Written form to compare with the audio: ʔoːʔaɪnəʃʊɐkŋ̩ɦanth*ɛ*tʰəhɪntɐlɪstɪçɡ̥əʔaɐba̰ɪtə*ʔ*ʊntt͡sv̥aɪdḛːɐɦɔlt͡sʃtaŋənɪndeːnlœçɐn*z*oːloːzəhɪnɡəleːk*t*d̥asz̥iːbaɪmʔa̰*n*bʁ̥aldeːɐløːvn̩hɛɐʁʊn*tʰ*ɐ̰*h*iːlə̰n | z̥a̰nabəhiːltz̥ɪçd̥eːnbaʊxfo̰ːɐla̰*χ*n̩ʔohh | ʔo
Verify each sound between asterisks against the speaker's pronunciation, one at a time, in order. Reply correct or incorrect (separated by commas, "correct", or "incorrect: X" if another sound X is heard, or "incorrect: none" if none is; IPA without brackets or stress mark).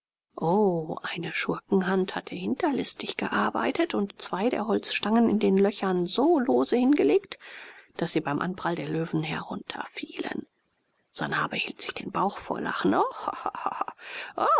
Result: incorrect: a, incorrect: t, correct, correct, correct, correct, incorrect: f, correct